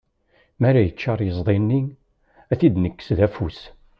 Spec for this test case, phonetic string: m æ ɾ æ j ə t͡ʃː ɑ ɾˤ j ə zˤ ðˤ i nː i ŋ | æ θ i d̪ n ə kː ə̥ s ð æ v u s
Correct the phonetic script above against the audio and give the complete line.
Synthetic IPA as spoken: m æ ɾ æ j ə t͡ʃː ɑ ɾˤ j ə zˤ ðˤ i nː i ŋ | æ θ i d̪ n ə kː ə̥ s ð æ f u s